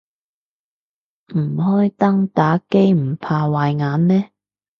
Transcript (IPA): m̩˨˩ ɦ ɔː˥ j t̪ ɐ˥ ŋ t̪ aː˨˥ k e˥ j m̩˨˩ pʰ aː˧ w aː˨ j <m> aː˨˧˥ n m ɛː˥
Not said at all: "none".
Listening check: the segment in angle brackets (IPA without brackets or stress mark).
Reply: ŋ